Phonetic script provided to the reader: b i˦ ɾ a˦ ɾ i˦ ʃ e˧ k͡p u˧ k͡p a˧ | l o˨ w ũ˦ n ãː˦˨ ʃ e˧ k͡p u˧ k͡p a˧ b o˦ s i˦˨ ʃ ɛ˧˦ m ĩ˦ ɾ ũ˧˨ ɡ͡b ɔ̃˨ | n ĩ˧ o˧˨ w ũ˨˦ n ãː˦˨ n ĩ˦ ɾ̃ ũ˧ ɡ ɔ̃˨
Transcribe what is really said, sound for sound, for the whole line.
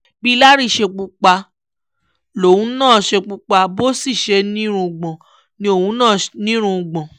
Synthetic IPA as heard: b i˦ l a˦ ɾ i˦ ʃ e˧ k͡p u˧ k͡p a˧ | l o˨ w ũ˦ n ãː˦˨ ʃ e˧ k͡p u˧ k͡p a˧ b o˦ s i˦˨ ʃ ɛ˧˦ n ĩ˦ ɾ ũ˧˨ ɡ͡b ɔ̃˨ | n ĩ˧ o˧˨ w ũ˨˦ n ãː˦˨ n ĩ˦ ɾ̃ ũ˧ ɡ͡b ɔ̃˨